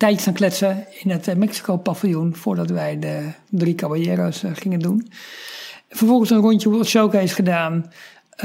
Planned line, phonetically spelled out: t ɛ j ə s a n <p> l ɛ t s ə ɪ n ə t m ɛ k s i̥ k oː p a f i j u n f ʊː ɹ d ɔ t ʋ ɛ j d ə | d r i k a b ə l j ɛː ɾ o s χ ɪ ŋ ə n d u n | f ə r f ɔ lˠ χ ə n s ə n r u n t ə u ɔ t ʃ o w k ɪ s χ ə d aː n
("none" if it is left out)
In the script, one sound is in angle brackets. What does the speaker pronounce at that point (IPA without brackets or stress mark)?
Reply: k